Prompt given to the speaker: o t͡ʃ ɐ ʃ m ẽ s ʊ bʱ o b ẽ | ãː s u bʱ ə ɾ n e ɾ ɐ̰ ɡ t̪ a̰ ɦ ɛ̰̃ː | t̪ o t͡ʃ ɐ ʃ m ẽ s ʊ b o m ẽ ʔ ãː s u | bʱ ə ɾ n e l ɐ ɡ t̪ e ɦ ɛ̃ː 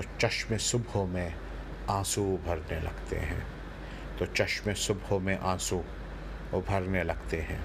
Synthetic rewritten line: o t͡ʃ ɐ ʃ m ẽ s ʊ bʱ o m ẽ | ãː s u bʱ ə ɾ n e l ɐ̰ ɡ t̪ ḛ ɦ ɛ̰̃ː | t̪ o t͡ʃ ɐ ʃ m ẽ s ʊ b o m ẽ ʔ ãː s u | bʱ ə ɾ n e l ɐ ɡ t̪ e ɦ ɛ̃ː